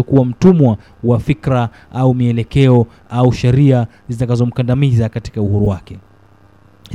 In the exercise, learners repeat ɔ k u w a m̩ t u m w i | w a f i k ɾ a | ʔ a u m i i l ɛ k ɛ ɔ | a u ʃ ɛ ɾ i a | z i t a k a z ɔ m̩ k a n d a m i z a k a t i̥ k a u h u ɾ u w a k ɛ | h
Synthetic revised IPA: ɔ k u w a m̩ t u m w a | w a f i k ɾ a | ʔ a u m i ɛ l ɛ k ɛ ɔ | a u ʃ ɛ ɾ i a | z i t a k a z ɔ m̩ k a n d a m i z a k a t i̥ k a u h u ɾ u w a k ɛ | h